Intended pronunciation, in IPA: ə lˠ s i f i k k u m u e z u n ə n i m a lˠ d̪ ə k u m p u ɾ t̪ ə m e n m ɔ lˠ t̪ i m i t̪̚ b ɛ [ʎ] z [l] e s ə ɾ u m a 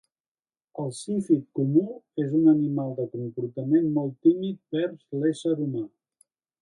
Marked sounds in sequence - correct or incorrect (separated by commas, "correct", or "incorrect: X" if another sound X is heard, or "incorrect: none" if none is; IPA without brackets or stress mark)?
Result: incorrect: ɾ, correct